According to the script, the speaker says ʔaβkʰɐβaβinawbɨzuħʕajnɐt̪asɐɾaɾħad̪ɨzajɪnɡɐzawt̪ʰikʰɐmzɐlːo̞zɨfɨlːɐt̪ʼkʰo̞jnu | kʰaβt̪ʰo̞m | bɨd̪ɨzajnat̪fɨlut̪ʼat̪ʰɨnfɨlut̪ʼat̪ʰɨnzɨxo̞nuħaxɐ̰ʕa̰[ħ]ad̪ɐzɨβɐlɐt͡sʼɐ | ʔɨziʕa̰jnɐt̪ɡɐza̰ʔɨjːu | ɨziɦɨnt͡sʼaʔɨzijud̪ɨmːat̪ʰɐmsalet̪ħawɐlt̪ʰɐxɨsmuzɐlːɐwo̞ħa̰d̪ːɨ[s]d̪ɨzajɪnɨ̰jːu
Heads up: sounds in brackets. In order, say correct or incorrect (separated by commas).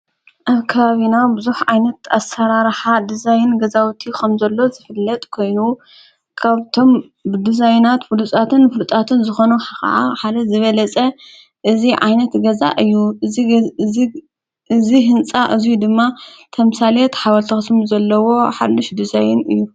correct, incorrect